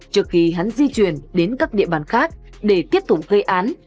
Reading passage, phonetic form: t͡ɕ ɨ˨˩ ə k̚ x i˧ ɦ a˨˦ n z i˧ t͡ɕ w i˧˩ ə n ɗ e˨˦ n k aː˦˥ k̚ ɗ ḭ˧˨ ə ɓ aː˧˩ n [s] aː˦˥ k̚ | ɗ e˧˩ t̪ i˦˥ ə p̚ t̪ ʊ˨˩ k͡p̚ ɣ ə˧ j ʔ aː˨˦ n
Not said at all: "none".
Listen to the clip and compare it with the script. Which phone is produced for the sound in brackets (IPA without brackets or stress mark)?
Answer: x